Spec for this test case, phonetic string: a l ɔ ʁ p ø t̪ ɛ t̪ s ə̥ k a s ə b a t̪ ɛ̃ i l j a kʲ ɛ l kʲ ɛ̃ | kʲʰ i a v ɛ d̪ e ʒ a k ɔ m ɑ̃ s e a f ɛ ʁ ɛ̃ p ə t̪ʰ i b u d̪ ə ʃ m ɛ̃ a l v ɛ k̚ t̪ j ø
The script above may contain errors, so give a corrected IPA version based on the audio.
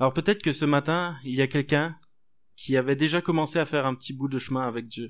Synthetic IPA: a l ɔ ʁ p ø t̪ ɛ t̪ χ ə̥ k ə s ə m a t̪ ɛ̃ i l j a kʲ ɛ l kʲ ɛ̃ | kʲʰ i a v ɛ d̪ e ʒ a k ɔ m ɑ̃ s e a f ɛ ʁ ɛ̃ p ə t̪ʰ i b u d̪ ə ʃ m ɛ̃ a v ɛ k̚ d̪ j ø